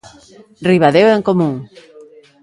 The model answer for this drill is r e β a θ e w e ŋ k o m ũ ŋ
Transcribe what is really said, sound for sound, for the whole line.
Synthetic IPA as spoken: r i β a ð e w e ŋ k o m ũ ŋ